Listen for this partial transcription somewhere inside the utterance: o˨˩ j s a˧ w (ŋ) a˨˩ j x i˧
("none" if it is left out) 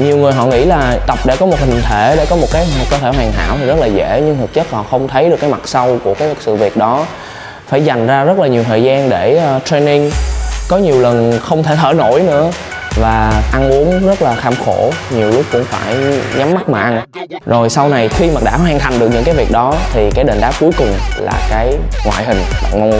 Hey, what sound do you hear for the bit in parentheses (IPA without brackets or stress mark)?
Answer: n